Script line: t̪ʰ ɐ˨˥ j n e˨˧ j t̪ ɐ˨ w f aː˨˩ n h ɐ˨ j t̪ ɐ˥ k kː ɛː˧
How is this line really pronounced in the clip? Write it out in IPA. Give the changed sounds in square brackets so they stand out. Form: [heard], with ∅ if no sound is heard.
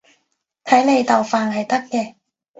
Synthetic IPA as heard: t̪ʰ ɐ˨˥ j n e˨˧ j t̪ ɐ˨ w f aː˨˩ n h ɐ˨ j t̪ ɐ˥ k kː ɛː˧